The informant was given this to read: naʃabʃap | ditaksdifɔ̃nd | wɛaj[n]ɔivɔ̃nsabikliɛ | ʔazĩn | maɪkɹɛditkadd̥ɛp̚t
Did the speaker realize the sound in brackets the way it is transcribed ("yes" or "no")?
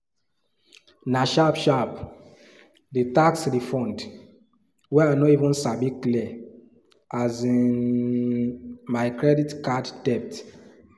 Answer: yes